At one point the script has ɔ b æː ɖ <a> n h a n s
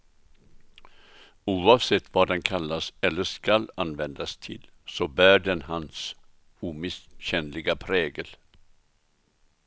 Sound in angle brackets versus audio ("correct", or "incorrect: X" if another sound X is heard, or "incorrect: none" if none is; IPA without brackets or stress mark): incorrect: ɛ